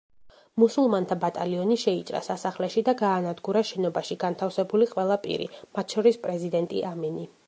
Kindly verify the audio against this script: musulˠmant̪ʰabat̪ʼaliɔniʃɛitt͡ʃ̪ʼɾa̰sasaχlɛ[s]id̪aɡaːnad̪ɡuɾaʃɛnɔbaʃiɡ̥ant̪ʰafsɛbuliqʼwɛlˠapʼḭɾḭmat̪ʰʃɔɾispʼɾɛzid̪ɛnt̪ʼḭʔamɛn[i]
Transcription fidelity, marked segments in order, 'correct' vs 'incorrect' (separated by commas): incorrect, correct